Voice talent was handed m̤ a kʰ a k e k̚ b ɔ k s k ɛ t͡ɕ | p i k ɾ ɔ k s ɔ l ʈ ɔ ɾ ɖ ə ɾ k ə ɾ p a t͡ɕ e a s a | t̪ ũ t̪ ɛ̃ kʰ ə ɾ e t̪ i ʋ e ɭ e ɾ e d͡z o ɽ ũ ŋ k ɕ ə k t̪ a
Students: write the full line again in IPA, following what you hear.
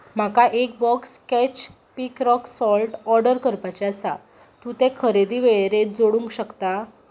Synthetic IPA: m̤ a k a ʔ e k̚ b ɔ k s k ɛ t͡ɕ | p i k ɾ ɔ k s ɔ l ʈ ɔ ɾ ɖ ə ɾ k ə ɾ p a t͡ɕ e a s a | t̪ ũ t̪ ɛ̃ kʰ ə ɾ e d̪ i ʋ e ɭ e ɾ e d͡z o ɽ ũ ŋ k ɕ ə k t̪ a